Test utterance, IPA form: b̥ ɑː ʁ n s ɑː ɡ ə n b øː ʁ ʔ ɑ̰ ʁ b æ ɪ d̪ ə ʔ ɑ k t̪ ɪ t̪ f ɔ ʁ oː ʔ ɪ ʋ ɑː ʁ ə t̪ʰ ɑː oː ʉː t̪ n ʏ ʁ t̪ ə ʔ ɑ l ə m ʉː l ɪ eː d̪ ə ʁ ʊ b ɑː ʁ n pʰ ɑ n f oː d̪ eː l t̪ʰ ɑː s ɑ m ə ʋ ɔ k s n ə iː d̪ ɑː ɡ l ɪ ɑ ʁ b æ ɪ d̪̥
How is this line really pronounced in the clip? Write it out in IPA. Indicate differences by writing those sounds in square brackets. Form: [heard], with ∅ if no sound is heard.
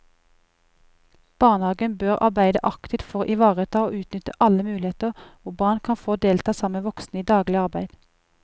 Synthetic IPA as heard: b̥ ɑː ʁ n [h] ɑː ɡ ə n b øː ʁ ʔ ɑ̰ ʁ b æ ɪ d̪ ə ʔ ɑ k t̪ ɪ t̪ f ɔ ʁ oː ʔ ɪ ʋ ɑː ʁ ə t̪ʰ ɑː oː ʉː t̪ n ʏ [∅] t̪ ə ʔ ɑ l ə m ʉː l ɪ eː [t̪] ə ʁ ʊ b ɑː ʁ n [kʰ] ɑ n f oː d̪ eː l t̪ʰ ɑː s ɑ m ə ʋ ɔ k s n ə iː d̪ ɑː ɡ l ɪ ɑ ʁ b æ ɪ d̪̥

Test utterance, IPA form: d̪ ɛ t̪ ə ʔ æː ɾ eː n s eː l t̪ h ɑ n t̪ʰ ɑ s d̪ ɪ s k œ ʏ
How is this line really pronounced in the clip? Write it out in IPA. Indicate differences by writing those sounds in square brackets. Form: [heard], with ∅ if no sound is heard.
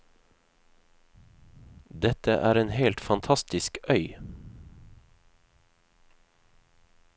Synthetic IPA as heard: d̪ ɛ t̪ ə ʔ æː ɾ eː n [h] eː l t̪ [f] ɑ n t̪ʰ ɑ s [t̪] ɪ s k œ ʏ

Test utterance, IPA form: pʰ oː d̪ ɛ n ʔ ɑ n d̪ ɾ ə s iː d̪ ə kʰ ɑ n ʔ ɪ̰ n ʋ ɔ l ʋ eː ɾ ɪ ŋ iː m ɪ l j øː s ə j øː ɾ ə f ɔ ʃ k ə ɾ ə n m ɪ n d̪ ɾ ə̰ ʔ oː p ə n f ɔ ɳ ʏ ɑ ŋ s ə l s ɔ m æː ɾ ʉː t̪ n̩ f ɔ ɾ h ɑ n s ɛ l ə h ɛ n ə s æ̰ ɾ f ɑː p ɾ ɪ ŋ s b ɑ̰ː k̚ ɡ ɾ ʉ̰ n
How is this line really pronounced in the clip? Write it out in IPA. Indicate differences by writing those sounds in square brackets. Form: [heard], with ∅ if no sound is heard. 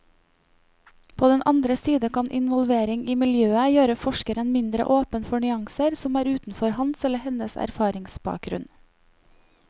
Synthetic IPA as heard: pʰ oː d̪ ɛ n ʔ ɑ n d̪ ɾ ə s iː d̪ ə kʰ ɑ n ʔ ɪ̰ n ʋ ɔ l ʋ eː ɾ ɪ ŋ iː m ɪ l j øː [∅] ə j øː ɾ ə f ɔ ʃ k ə ɾ ə n m ɪ n d̪ ɾ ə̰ ʔ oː p ə n f ɔ ɳ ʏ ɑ ŋ s ə [ɾ] s ɔ m æː ɾ ʉː t̪ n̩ f ɔ ɾ h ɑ n s ɛ l ə h ɛ n ə s æ̰ ɾ f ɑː [∅] ɾ ɪ ŋ s b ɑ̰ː k̚ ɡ ɾ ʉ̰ n

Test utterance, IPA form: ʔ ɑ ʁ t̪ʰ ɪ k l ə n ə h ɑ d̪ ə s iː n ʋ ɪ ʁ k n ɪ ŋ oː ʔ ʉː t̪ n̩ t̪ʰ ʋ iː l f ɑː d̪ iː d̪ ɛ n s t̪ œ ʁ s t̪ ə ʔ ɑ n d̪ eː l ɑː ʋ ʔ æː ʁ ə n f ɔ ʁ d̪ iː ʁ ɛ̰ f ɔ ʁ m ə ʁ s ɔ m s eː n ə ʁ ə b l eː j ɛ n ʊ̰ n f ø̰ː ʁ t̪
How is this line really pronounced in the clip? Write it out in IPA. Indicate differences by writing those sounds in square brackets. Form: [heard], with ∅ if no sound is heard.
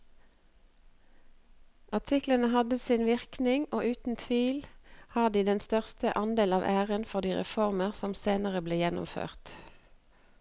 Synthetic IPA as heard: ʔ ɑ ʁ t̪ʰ ɪ k l ə n ə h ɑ d̪ ə s iː n ʋ ɪ ʁ k n ɪ ŋ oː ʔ ʉː t̪ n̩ t̪ʰ ʋ iː l [h] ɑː d̪ iː d̪ ɛ n s t̪ œ ʁ s t̪ ə ʔ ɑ n d̪ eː l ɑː ʋ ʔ æː ʁ ə n f ɔ ʁ d̪ iː ʁ ɛ̰ f ɔ ʁ m ə ʁ s ɔ m s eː n ə ʁ ə b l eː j ɛ n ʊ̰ [m] f ø̰ː ʁ t̪

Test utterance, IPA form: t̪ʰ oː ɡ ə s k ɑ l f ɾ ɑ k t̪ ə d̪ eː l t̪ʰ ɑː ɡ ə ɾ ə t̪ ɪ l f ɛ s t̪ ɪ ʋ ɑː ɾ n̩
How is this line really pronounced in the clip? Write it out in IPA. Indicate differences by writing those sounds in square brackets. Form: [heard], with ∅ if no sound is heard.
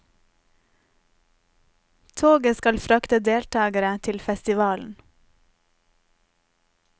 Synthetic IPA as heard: t̪ʰ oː ɡ ə s k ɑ l f ɾ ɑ k t̪ ə d̪ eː l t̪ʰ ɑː ɡ ə ɾ ə [t̪ʰ] ɪ l f ɛ s t̪ ɪ ʋ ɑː [l] n̩

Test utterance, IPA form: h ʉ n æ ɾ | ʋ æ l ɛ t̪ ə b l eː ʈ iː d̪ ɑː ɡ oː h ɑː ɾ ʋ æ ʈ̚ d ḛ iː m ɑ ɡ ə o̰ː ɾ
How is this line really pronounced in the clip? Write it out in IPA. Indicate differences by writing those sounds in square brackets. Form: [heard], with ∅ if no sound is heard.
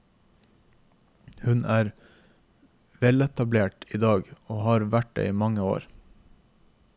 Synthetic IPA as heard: h ʉ n [æː] ɾ | ʋ [ɛ] l ɛ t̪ [ɑ] b l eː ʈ iː d̪ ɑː ɡ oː h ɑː ɾ ʋ æ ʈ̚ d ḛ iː m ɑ [ŋ] ə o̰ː ɾ

